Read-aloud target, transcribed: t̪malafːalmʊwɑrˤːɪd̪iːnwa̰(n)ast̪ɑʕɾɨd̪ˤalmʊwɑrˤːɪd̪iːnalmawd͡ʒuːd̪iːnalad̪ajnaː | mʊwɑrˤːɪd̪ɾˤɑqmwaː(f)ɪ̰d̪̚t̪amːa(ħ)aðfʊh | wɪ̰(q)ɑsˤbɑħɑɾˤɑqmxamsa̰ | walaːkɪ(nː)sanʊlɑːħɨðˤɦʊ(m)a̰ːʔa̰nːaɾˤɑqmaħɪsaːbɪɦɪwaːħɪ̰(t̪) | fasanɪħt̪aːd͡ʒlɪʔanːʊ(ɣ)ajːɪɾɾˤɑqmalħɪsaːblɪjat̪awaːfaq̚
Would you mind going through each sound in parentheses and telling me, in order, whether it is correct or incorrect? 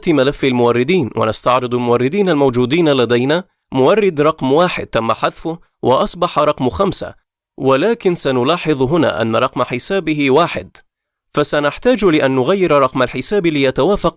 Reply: correct, incorrect: ħ, correct, incorrect: ʔ, incorrect: n, incorrect: n, incorrect: d̪, correct

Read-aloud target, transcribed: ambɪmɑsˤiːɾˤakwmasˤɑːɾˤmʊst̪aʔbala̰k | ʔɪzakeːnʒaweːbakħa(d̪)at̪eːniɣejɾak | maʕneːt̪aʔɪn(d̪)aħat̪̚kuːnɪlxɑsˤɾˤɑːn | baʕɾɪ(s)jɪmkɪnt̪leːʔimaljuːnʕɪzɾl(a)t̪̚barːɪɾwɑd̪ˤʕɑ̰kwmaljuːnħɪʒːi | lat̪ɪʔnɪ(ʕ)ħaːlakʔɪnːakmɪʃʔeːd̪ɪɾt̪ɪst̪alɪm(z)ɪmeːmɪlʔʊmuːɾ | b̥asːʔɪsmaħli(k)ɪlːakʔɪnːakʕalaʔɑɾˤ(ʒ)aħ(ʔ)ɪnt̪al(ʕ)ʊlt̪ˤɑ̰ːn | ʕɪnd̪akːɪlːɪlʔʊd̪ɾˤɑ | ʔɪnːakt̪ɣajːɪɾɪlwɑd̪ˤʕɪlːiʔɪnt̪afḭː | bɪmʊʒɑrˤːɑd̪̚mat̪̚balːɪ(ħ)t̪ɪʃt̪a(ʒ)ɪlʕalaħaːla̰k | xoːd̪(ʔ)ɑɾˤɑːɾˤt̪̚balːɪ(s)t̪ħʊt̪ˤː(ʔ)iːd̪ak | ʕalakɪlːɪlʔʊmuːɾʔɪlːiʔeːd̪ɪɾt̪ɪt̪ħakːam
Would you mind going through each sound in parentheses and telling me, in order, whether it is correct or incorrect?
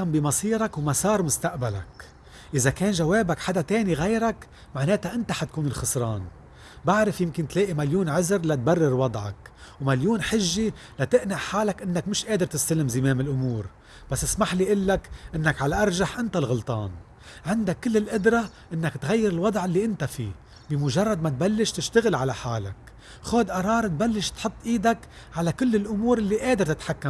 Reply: correct, incorrect: t̪, incorrect: f, correct, correct, correct, incorrect: ʔ, correct, correct, incorrect: ɣ, incorrect: ʃ, incorrect: ɣ, correct, incorrect: ʃ, correct

